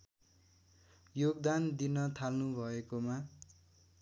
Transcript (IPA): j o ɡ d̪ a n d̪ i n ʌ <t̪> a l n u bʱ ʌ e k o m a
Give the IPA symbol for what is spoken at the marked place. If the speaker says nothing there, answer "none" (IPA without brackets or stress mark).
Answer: t̪ʰ